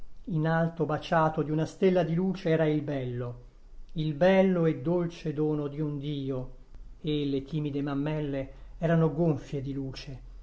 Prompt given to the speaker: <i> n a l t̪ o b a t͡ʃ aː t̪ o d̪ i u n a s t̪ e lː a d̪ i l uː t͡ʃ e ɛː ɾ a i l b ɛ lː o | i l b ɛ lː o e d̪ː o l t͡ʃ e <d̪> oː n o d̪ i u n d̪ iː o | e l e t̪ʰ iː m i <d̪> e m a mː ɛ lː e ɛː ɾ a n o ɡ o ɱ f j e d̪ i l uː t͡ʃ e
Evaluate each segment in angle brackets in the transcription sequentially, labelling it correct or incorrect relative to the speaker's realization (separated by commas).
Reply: correct, correct, correct